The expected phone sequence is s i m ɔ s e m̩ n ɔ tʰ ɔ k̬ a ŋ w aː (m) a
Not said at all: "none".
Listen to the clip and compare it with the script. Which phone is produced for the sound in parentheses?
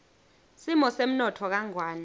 n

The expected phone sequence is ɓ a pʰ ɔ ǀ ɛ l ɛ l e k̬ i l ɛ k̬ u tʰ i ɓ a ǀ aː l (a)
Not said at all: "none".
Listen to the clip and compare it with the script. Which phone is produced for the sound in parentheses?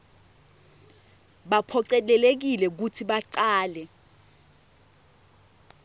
ɛ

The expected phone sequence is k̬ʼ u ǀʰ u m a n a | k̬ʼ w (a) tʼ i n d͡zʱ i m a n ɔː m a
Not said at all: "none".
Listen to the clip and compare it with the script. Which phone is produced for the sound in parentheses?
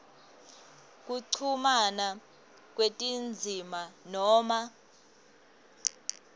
e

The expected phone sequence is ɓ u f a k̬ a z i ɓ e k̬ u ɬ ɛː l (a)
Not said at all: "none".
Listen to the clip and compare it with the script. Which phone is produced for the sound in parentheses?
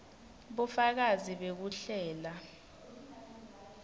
a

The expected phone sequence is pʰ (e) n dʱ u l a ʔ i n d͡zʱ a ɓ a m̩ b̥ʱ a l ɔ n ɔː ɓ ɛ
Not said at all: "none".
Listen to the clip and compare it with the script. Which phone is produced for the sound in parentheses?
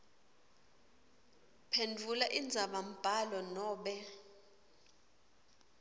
e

